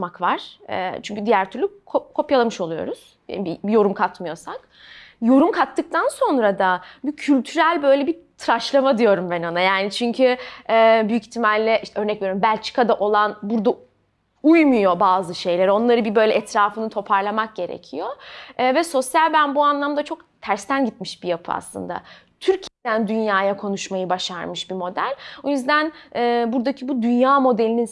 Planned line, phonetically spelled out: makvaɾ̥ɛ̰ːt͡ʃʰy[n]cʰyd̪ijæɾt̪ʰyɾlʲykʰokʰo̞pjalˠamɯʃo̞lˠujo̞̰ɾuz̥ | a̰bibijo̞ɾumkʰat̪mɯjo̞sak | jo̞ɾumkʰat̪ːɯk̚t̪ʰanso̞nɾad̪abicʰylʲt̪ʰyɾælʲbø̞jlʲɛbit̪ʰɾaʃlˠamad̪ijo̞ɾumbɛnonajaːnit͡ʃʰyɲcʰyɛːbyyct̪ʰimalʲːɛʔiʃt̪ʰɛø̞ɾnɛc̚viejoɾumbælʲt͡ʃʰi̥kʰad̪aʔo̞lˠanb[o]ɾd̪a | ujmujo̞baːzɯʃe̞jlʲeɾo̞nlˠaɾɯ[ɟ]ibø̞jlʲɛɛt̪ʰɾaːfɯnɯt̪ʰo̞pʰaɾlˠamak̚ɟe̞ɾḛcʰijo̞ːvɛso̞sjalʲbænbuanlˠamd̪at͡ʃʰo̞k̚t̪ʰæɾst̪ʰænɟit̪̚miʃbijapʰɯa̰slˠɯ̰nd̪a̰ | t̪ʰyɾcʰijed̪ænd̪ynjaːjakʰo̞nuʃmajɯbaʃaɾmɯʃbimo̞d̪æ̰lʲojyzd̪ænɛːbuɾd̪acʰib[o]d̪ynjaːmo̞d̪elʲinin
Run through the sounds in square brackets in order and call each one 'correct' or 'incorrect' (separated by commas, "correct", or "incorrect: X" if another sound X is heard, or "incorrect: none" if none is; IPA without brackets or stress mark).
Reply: incorrect: ɲ, incorrect: u, incorrect: b, incorrect: u